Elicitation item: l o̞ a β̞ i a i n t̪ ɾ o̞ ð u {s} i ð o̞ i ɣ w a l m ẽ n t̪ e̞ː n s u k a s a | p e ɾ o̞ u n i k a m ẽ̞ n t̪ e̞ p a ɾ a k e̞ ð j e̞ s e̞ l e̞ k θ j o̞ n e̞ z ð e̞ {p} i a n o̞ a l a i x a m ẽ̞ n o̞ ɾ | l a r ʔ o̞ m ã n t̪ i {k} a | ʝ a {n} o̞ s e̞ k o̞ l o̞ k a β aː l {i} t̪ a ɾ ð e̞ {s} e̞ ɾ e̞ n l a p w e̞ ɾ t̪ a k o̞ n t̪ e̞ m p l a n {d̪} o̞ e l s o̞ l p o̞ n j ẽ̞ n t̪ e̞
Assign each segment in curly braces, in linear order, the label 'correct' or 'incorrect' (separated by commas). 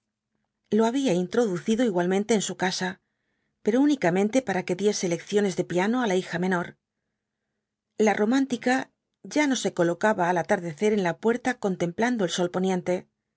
incorrect, correct, correct, correct, incorrect, incorrect, correct